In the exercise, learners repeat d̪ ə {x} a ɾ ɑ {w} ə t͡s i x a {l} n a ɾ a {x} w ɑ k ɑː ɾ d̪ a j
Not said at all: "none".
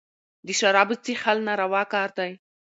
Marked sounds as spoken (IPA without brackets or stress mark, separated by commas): ʃ, b, l, none